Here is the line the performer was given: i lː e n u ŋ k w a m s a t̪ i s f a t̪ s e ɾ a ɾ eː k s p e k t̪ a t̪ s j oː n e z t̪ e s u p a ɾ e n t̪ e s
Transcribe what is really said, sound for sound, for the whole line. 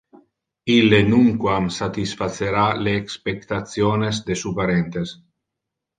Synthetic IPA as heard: i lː e n u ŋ k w a m s a t̪ i s f a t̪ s e ɾ a l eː k s p e k t̪ a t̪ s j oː n e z d̪ e s u p a ɾ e n t̪ e s

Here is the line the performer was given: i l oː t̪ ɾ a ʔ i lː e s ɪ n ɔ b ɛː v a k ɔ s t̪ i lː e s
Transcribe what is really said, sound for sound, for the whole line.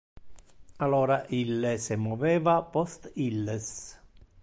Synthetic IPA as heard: a l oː ɾ a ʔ i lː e s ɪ m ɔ v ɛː v a p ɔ s t̪ i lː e s

